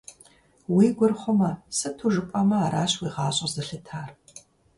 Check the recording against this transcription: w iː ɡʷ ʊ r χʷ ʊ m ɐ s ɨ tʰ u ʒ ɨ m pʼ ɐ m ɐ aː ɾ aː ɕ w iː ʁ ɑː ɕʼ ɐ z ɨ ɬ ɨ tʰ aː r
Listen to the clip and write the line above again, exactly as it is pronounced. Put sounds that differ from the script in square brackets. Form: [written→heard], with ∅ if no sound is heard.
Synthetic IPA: w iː ɡʷ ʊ r χʷ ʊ m ɐ s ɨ tʰ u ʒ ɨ [m→∅] pʼ ɐ m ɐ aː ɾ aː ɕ w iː ʁ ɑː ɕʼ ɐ z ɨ ɬ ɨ tʰ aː r